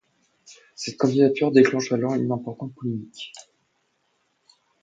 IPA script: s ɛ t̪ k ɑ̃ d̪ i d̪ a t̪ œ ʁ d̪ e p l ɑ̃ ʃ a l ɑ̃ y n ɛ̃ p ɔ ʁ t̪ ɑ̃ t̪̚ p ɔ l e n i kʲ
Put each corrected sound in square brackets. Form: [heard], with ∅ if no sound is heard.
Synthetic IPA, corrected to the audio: s ɛ t̪ k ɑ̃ d̪ i d̪ a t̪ [y] ʁ d̪ e [k] l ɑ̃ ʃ a l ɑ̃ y n ɛ̃ p ɔ ʁ t̪ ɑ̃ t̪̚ p ɔ l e [m] i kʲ